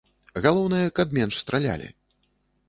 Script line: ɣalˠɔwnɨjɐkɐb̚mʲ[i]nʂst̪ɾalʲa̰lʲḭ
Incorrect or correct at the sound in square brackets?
incorrect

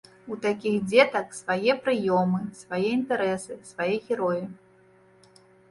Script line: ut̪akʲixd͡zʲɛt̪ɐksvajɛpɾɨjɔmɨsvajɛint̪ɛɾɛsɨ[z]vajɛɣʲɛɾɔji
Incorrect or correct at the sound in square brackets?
incorrect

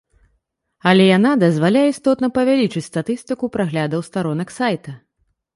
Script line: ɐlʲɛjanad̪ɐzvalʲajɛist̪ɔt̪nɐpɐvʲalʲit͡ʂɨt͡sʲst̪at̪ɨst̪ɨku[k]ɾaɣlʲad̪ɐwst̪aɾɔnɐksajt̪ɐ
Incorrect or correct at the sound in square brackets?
incorrect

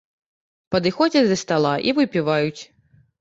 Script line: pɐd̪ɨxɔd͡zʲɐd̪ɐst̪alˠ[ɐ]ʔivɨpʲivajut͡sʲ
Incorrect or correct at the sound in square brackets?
incorrect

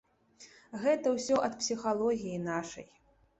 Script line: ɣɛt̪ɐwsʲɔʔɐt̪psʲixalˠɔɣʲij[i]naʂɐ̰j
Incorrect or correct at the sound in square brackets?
correct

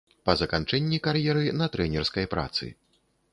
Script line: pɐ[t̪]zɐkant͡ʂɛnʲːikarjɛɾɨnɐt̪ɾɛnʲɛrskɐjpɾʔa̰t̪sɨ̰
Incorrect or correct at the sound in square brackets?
incorrect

